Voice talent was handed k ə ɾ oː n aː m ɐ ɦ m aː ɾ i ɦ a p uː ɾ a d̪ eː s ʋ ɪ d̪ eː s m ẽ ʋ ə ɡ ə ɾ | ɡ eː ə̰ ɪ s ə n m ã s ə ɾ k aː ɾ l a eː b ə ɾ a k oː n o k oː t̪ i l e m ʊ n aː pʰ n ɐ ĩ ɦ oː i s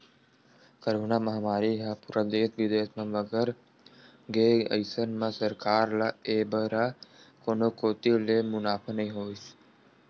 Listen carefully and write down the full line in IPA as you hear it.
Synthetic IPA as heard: k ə ɾ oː n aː m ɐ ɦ m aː ɾ i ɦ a p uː ɾ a d̪ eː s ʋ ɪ d̪ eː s m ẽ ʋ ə ɡ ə ɾ | ɡ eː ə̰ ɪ s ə n m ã s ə ɾ k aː ɾ l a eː b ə ɾ a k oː n o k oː t̪ i l e m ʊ n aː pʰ n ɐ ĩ ɦ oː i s

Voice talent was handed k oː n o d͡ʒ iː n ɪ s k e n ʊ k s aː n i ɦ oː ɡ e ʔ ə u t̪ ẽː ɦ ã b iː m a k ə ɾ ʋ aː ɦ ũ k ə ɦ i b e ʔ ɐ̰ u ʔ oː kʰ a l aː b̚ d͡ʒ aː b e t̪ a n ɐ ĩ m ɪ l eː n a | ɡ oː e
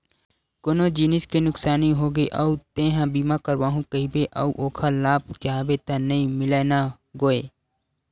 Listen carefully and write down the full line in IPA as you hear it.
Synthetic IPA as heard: k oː n o d͡ʒ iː n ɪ s k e n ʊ k s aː n i ɦ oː ɡ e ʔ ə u t̪ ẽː ɦ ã b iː m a k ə ɾ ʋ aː ɦ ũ k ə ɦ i b e ʔ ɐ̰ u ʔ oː kʰ a l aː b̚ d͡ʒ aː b e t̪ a n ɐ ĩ m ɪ l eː n a | ɡ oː e

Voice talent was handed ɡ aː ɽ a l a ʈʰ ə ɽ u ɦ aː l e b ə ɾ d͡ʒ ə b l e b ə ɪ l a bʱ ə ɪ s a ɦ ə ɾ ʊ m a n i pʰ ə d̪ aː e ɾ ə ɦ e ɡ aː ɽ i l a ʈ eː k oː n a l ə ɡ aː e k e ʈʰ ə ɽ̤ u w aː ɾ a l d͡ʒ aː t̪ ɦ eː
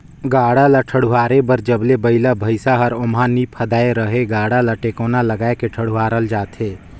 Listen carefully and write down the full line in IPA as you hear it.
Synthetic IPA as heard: ɡ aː ɽ a l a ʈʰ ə ɽ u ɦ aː ɾ e b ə ɾ d͡ʒ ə b l e b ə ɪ l a bʱ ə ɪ s a ɦ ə ɾ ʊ m a n i pʰ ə d̪ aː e ɾ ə ɦ e ɡ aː ɽ a l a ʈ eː k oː n a l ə ɡ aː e k e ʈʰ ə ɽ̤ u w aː ɾ ə l d͡ʒ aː t̪ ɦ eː

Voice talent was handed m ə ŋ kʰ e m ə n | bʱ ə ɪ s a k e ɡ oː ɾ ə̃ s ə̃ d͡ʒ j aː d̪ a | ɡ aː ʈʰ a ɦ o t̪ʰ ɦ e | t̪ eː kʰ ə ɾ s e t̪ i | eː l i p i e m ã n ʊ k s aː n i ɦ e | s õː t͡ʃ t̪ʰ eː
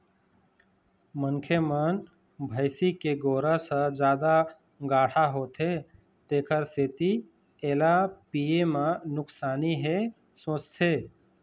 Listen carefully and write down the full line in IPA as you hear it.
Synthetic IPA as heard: m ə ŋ kʰ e m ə n | bʱ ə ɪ s i k e ɡ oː ɾ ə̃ s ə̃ d͡ʒ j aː d̪ a | ɡ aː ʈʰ a ɦ o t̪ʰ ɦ e | t̪ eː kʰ ə ɾ s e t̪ i | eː l a p i e m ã n ʊ k s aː n i ɦ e | s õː t͡ʃ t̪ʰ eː

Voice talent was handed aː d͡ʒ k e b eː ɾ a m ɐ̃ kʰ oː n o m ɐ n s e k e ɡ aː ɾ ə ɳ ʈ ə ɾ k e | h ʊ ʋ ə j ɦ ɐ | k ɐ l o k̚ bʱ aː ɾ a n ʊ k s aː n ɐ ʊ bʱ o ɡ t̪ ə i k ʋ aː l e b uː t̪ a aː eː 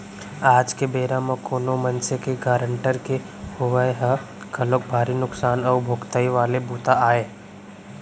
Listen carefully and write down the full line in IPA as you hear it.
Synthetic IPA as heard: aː d͡ʒ k e b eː ɾ a m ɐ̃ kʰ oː n o m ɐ n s e k e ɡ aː ɾ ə ɳ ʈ ə ɾ k e | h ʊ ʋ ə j ɦ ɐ | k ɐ l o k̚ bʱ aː ɾ i n ʊ k s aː n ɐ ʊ bʱ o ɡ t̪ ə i ʋ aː l e b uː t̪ a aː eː

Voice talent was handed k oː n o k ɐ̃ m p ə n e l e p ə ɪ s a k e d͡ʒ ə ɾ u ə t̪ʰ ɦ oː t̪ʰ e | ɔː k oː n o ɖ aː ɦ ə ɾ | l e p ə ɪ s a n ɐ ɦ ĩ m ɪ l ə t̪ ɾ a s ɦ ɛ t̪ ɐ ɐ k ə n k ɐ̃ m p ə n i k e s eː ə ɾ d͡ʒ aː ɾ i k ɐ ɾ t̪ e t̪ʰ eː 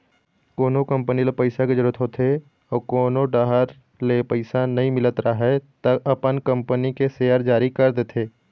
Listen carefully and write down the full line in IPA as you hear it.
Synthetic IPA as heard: k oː n o k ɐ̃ m p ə n i l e p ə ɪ s a k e d͡ʒ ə ɾ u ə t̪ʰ ɦ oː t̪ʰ e | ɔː k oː n o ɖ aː ɦ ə ɾ | l e p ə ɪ s a n ɐ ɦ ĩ m ɪ l ə t̪ ɾ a ɦ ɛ t̪ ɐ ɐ p ə n k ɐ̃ m p ə n i k e s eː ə ɾ d͡ʒ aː ɾ i k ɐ ɾ d̪ e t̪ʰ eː

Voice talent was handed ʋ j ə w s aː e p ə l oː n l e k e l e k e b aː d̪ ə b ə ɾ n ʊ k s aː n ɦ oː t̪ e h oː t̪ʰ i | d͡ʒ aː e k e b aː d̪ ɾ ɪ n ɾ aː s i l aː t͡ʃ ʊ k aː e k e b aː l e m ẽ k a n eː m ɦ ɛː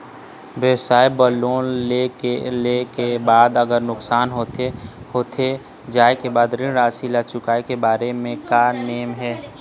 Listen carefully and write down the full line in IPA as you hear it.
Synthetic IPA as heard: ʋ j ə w s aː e b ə l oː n l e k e l e k e b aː d̪ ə ɡ ə ɾ n ʊ k s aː n ɦ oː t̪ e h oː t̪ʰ e | d͡ʒ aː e k e b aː d̪ ɾ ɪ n ɾ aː s i l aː t͡ʃ ʊ k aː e k e b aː ɾ e m ẽ k a n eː m ɦ ɛː

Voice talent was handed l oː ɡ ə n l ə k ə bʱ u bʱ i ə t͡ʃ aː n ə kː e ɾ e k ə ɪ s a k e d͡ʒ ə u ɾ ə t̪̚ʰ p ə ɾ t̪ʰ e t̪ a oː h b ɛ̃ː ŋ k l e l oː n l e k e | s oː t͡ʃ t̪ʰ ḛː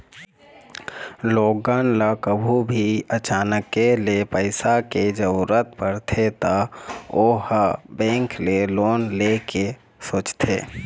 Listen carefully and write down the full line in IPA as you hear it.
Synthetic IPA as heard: l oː ɡ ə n l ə k ə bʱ u bʱ i ə t͡ʃ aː n ə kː e l e p ə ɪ s a k e d͡ʒ ə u ɾ ə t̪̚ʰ p ə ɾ t̪ʰ e t̪ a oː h b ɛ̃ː ŋ k l e l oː n l e k e | s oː t͡ʃ t̪ʰ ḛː

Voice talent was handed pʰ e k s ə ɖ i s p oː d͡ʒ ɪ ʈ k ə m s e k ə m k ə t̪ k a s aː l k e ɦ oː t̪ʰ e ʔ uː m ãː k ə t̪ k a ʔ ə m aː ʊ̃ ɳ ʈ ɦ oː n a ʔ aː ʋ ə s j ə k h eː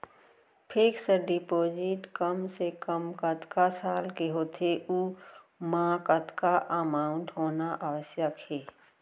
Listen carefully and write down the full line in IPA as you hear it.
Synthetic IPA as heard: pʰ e k s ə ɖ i p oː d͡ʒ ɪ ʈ k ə m s e k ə m k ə t̪ k a s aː l k e ɦ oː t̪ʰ e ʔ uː m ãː k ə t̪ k a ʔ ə m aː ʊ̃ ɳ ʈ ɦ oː n a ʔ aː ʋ ə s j ə k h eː

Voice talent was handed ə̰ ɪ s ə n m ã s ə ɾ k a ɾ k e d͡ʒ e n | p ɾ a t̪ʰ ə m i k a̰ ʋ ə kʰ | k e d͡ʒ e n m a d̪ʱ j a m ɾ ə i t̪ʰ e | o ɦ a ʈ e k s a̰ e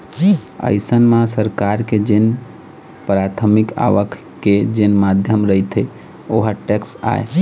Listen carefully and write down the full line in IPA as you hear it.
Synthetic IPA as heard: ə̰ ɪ s ə n m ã s ə ɾ k a ɾ k e d͡ʒ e n | p ɾ a t̪ʰ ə m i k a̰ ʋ ə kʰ | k e d͡ʒ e n m a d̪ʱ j ə m ɾ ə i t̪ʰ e | o ɦ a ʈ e k s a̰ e

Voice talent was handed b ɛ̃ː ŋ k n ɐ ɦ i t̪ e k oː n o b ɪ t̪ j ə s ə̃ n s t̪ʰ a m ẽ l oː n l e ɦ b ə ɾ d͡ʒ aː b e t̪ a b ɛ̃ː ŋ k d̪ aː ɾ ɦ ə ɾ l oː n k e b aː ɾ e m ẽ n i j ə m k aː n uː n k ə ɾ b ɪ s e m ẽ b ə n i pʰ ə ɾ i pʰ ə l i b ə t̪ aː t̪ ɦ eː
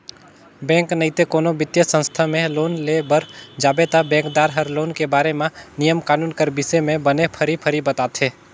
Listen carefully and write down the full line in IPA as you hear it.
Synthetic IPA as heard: b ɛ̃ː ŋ k n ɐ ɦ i t̪ e k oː n o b ɪ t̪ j ə s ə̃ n s t̪ʰ a m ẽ l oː n l e b ə ɾ d͡ʒ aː b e t̪ a b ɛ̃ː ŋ k d̪ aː ɾ ɦ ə ɾ l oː n k e b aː ɾ e m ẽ n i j ə m k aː n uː n k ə ɾ b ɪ s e m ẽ b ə n e pʰ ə ɾ i pʰ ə ɾ i b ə t̪ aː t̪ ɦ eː

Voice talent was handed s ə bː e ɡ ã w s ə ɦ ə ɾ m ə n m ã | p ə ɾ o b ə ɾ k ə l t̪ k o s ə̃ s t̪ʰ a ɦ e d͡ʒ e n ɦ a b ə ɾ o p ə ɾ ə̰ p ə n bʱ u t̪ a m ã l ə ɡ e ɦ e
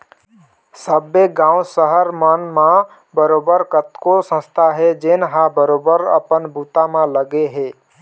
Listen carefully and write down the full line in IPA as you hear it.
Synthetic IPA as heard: s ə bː e ɡ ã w s ə ɦ ə ɾ m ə n m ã | b ə ɾ o b ə ɾ k ə t̪ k o s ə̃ s t̪ʰ a ɦ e d͡ʒ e n ɦ a b ə ɾ o b ə ɾ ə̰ p ə n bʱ u t̪ a m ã l ə ɡ e ɦ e

